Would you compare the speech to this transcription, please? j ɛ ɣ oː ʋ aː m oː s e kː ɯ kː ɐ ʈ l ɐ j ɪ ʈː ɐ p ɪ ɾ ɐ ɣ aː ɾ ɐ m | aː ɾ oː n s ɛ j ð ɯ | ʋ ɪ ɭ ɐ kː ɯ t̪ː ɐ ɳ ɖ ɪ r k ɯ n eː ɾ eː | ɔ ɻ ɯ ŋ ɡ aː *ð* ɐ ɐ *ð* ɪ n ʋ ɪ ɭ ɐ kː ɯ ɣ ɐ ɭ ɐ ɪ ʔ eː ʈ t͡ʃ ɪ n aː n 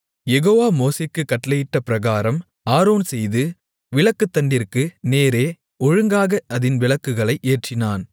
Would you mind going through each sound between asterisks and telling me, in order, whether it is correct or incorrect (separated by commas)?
incorrect, correct